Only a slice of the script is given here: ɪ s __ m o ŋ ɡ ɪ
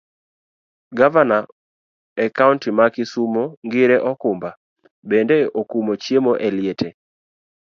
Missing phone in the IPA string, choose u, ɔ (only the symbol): u